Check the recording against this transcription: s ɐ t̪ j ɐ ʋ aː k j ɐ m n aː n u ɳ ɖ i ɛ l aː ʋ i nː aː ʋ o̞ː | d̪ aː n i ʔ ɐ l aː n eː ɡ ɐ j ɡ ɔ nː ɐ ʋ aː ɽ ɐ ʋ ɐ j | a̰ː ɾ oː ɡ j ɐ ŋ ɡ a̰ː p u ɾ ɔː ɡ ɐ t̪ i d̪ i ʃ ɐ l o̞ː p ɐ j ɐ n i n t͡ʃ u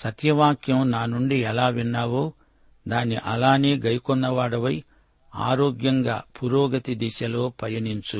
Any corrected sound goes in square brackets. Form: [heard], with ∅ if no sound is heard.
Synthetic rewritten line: s ɐ t̪ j ɐ ʋ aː k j ɐ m n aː n u ɳ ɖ i ɛ l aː ʋ i nː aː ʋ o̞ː | d̪ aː n i ʔ ɐ l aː n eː ɡ ɐ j [k] ɔ nː ɐ ʋ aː ɽ ɐ ʋ ɐ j | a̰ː ɾ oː ɡ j ɐ ŋ ɡ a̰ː p u ɾ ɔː ɡ ɐ t̪ i d̪ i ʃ ɐ l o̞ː p ɐ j ɐ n i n t͡ʃ u